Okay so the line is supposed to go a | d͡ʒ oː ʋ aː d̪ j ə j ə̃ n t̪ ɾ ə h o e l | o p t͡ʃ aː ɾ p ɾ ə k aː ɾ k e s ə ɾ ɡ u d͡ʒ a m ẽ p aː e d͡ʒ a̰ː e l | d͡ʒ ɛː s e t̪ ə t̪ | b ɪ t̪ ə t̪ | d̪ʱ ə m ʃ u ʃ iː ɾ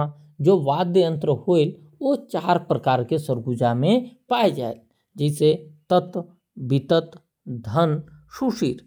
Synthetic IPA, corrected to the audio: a | d͡ʒ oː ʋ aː d̪ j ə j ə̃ n t̪ ɾ ə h o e l | o t͡ʃ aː ɾ p ɾ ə k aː ɾ k e s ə ɾ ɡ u d͡ʒ a m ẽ p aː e d͡ʒ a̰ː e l | d͡ʒ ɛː s e t̪ ə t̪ | b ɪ t̪ ə t̪ | d̪ʱ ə n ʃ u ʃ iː ɾ

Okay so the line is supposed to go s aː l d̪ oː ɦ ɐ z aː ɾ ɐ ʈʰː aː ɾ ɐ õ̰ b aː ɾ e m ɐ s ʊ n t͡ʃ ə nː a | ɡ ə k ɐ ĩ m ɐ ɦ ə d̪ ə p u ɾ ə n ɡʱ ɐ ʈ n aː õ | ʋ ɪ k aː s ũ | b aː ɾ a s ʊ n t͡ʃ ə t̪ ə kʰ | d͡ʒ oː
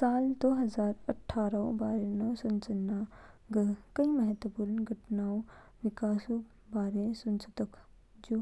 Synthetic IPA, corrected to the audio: s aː l d̪ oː ɦ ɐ z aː ɾ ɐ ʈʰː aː ɾ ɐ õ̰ b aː ɾ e n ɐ s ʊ n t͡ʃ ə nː a | ɡ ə k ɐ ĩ m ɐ ɦ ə t̪ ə p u ɾ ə n ɡʱ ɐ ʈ n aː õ | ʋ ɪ k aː s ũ | b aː ɾ e s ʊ n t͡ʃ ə t̪ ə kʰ | d͡ʒ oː

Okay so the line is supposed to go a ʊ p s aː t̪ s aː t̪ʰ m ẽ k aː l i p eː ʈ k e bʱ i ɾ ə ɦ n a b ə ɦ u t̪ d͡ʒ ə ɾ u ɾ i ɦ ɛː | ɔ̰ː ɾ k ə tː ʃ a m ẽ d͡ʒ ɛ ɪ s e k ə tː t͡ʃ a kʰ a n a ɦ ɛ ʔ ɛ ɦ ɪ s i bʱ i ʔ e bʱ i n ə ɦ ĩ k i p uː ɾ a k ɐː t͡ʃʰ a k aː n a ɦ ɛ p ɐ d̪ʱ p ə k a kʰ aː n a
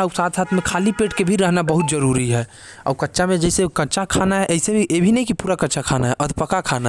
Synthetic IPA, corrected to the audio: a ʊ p s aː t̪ s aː t̪ʰ m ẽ kʰ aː l i p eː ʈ k e bʱ i ɾ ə ɦ n a b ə ɦ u t̪ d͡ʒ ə ɾ u ɾ i ɦ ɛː | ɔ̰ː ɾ k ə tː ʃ a m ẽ d͡ʒ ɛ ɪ s e k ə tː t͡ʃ a kʰ a n a ɦ ɛ ʔ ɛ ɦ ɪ s e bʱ i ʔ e bʱ i n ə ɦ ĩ k i p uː ɾ a k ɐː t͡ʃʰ a kʰ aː n a ɦ ɛ ʔ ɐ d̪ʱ p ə k a kʰ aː n a

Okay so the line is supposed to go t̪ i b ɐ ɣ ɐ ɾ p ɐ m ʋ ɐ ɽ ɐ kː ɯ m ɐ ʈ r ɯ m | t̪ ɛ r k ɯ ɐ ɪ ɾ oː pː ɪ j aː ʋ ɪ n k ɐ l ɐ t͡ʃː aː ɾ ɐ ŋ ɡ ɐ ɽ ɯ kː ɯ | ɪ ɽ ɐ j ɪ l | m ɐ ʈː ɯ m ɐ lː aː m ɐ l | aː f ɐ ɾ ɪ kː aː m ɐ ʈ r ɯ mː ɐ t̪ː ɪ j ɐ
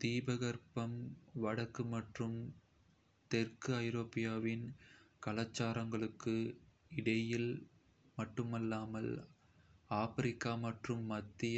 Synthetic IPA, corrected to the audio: t̪ iː b ɐ ɣ ɐ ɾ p ɐ m ʋ ɐ ɽ ɐ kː ɯ m ɐ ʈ r ɯ m | t̪ ɛ r k ɯ ɐ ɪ ɾ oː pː ɪ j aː ʋ ɪ n k ɐ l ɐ t͡ʃː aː ɾ ɐ ŋ ɡ ɐ ɭ ɯ kː ɯ | ɪ ɽ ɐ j ɪ l | m ɐ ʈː ɯ m ɐ lː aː m ɐ l | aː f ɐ ɾ ɪ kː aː m ɐ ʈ r ɯ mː ɐ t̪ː ɪ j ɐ

